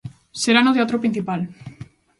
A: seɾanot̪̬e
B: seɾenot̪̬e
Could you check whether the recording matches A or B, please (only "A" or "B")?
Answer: A